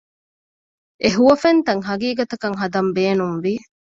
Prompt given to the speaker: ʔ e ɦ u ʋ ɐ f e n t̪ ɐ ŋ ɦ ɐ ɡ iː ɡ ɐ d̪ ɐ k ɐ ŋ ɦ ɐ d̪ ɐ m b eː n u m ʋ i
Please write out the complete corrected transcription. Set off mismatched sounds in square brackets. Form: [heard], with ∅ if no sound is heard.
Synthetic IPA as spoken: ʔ e ɦ u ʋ ɐ f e n t̪ ɐ ŋ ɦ ɐ ɡ iː ɡ ɐ [t̪] ɐ k ɐ ŋ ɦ ɐ d̪ ɐ m b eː n u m ʋ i

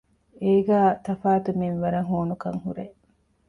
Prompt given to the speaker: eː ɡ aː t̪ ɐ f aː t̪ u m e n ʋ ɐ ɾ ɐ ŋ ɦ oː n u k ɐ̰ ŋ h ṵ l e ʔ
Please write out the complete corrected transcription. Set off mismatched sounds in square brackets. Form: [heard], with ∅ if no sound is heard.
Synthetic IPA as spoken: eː ɡ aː t̪ ɐ f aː t̪ u m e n ʋ ɐ ɾ ɐ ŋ ɦ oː n u k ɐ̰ ŋ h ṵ [ɾ] e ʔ

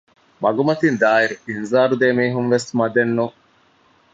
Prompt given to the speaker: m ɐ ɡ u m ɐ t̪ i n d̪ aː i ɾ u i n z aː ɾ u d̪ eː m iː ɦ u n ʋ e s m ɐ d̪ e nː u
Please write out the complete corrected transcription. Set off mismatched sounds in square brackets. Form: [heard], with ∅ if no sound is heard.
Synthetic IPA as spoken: m ɐ ɡ u m ɐ t̪ i n d̪ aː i ɾ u i n z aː ɾ u d̪ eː m iː ɦ u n ʋ e s m ɐ d̪ e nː u

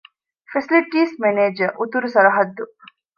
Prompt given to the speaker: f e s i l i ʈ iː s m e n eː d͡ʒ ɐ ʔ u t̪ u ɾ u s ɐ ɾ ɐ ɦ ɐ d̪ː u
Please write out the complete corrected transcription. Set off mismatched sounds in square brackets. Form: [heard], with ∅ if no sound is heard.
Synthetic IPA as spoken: f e s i l i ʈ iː s m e n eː d͡ʒ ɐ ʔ u t̪ u ɾ u s ɐ ɾ ɐ ɦ ɐ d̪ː u

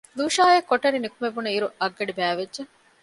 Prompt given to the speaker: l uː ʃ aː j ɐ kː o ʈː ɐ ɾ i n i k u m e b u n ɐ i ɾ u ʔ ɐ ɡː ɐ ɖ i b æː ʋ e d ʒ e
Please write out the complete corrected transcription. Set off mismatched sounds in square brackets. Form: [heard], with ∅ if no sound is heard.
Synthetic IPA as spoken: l uː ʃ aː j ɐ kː o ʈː ɐ ɾ i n i k u m e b u n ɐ i ɾ u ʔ ɐ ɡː ɐ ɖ i b æː ʋ e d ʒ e

